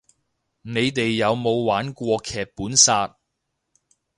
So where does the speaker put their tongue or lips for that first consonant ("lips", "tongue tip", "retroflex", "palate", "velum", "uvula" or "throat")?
tongue tip